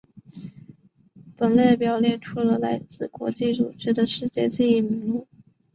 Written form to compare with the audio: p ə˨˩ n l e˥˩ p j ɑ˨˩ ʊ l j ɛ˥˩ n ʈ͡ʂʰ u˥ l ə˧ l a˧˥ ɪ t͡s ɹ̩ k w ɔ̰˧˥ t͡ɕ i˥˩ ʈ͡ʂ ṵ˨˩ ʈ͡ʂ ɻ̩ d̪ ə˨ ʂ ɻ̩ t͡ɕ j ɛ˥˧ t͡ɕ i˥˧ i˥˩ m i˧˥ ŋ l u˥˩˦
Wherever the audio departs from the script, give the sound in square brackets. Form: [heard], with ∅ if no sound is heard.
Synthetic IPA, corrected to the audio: p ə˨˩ n l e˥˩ p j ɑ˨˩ ʊ l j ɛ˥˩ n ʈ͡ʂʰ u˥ l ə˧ l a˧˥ ɪ t͡s ɹ̩ k w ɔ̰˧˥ t͡ɕ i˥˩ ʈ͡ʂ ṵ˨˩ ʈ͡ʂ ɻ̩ d̪ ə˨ ʂ ɻ̩ t͡ɕ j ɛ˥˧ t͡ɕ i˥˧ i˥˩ m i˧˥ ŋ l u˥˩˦